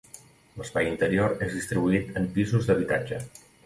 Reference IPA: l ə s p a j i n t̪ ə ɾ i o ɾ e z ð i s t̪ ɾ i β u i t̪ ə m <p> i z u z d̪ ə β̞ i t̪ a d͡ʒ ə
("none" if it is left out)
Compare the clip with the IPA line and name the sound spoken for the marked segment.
p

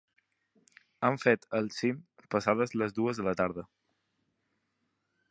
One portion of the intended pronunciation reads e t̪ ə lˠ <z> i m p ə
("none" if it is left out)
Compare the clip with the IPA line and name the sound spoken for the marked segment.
s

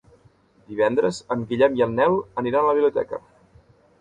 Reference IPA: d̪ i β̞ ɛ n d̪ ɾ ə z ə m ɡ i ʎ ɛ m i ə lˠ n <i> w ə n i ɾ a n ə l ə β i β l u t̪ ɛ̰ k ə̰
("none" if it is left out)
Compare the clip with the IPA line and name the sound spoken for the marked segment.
ɛ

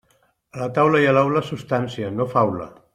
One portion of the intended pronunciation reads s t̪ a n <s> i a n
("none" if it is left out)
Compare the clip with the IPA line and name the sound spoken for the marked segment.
s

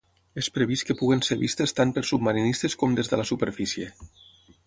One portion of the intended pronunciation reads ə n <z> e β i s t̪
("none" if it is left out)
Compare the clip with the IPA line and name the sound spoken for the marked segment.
s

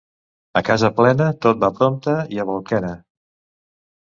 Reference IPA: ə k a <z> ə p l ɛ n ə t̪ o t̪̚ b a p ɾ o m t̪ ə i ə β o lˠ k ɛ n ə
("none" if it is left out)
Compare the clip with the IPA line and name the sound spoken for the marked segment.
z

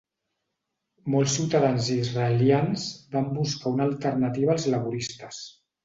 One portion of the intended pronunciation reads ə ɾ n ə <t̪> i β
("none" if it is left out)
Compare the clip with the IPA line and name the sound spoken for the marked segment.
t̪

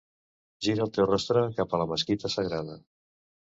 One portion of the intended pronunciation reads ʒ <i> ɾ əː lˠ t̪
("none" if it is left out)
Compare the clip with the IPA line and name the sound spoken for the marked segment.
i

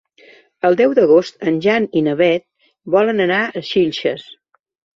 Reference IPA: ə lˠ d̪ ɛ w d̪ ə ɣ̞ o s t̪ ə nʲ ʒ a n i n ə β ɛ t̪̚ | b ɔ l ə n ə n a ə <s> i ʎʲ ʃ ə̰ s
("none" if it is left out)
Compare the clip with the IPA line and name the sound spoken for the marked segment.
ʃ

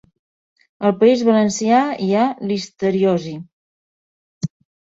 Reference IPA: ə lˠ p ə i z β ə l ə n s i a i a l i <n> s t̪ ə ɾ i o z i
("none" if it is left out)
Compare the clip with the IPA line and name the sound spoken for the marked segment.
none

